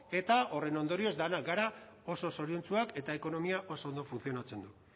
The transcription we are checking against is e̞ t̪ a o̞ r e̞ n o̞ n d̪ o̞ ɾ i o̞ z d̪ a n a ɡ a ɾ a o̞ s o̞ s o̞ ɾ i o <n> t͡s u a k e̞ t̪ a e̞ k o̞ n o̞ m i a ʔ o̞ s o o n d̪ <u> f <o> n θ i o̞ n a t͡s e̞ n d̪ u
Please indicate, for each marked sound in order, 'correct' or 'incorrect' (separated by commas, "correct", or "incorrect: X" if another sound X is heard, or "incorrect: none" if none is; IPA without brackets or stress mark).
correct, incorrect: o, incorrect: u